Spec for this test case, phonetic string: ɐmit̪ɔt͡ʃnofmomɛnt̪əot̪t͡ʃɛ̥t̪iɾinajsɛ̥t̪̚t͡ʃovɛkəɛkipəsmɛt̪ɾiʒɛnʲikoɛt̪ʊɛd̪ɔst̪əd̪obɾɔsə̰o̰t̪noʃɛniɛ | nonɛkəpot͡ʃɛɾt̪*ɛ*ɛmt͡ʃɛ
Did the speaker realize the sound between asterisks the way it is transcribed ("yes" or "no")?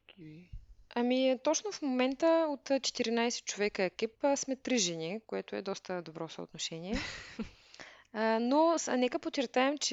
no